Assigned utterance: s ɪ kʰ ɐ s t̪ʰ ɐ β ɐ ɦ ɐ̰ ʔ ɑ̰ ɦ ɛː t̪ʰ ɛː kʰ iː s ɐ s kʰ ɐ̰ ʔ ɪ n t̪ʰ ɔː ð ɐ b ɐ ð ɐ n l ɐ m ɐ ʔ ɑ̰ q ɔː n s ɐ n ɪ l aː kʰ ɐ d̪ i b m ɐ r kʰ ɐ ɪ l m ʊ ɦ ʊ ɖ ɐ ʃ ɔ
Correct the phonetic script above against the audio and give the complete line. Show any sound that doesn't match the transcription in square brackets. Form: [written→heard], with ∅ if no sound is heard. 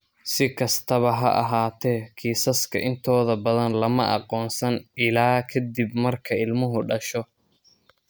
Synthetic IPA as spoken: s ɪ kʰ ɐ s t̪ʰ ɐ β ɐ ɦ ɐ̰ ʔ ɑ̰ ɦ [ɛː→aː] t̪ʰ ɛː kʰ iː s ɐ s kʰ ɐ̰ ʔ ɪ n t̪ʰ ɔː ð ɐ b ɐ ð ɐ n l ɐ m ɐ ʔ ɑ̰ q ɔː n s ɐ n ɪ l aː kʰ ɐ d̪ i b m ɐ r kʰ ɐ ɪ l m ʊ ɦ ʊ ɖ ɐ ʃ ɔ